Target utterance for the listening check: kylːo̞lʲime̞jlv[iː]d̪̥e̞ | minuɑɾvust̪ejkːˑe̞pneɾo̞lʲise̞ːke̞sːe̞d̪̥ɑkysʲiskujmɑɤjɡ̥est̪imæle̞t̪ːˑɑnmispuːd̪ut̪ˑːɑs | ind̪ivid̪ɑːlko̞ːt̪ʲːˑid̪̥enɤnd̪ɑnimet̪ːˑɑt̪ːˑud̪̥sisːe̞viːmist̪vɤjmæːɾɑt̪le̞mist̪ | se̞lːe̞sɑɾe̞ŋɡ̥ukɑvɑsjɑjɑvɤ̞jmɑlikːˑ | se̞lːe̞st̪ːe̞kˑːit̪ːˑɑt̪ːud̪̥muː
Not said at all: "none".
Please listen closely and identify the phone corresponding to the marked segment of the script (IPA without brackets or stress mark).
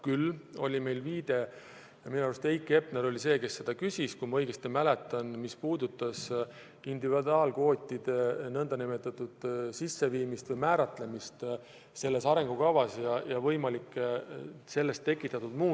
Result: iː